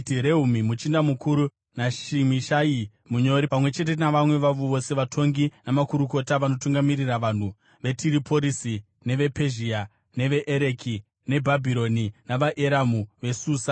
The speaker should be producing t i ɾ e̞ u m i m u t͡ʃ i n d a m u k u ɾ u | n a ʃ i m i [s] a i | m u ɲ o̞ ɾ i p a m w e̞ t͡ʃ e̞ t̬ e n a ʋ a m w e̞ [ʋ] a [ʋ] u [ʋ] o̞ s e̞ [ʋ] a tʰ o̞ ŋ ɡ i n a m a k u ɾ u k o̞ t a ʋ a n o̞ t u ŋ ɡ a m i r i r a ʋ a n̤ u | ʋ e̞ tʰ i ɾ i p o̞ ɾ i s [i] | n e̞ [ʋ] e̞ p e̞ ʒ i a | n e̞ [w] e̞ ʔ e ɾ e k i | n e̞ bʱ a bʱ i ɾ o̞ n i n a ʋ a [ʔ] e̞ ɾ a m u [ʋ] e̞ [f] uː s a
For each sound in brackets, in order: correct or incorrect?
incorrect: ʃ, correct, correct, correct, correct, correct, correct, incorrect: ʋ, correct, correct, incorrect: s

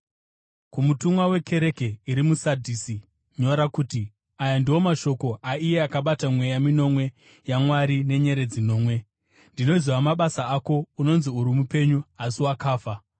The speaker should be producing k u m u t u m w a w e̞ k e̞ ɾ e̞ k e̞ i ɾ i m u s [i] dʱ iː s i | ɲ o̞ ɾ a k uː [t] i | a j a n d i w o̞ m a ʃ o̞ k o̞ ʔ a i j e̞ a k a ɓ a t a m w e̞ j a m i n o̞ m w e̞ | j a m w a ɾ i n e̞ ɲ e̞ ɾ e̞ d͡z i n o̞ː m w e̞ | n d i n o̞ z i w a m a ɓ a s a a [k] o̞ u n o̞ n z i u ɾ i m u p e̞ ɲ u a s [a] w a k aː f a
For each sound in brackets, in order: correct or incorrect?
incorrect: a, correct, correct, incorrect: i

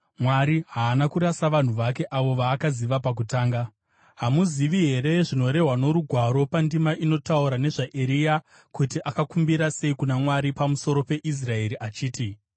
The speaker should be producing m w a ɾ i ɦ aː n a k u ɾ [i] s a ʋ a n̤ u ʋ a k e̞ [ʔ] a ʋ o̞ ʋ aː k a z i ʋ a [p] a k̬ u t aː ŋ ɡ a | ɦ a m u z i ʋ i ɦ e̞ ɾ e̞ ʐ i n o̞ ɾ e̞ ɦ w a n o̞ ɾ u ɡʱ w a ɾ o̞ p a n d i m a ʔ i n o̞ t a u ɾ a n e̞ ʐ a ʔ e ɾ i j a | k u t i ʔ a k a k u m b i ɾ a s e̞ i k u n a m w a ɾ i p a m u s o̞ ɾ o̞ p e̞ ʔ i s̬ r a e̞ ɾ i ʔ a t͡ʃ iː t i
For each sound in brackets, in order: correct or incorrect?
incorrect: a, correct, correct

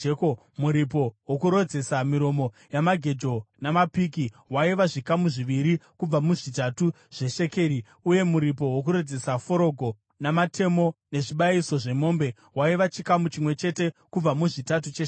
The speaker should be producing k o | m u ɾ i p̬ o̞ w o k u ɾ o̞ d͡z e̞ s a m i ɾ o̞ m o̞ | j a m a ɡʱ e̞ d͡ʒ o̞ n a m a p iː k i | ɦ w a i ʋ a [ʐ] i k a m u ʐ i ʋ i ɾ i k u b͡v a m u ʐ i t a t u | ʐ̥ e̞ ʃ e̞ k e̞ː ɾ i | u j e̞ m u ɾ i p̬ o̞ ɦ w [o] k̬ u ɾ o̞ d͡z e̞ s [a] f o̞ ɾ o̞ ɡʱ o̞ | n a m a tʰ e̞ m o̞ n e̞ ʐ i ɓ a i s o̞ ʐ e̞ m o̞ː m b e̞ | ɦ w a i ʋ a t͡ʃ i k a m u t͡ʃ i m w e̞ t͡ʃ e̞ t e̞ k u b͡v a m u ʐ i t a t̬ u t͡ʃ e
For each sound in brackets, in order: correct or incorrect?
correct, correct, correct

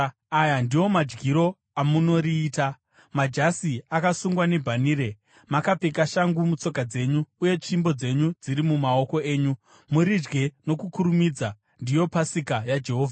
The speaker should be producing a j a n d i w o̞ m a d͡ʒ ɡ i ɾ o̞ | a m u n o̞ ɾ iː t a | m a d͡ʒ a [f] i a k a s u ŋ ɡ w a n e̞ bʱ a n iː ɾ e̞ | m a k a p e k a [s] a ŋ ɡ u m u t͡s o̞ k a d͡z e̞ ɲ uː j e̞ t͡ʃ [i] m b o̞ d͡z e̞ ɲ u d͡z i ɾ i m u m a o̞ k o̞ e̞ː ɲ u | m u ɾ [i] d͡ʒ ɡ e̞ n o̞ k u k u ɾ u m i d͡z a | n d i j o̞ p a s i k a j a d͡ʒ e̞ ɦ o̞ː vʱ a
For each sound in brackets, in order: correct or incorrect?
incorrect: s, incorrect: ʃ, correct, correct

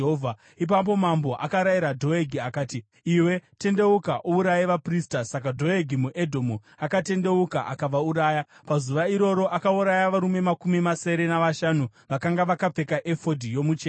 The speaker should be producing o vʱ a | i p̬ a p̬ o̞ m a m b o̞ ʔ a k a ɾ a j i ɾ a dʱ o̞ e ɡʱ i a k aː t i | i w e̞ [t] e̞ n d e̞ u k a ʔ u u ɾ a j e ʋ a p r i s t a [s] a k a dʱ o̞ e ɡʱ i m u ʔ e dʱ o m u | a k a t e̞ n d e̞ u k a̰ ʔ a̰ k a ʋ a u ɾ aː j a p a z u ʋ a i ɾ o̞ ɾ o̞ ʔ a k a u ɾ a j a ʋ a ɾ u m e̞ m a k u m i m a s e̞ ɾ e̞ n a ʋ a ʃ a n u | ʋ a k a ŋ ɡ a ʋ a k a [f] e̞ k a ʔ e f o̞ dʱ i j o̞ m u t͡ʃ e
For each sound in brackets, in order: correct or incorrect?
correct, correct, incorrect: p͡f

